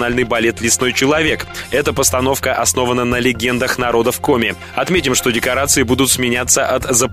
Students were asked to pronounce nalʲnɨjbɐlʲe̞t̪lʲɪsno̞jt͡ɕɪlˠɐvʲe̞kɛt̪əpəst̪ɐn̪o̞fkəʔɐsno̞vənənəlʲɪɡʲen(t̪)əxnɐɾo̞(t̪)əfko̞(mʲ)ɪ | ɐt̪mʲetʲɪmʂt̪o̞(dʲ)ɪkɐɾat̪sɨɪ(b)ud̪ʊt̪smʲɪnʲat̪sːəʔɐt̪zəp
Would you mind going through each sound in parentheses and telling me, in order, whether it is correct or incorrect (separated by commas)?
incorrect, incorrect, correct, correct, correct